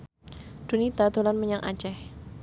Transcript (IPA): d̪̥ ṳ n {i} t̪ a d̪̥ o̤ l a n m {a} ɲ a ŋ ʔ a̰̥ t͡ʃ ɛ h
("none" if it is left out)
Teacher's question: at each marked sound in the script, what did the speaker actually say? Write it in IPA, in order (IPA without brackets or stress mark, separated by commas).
i, ə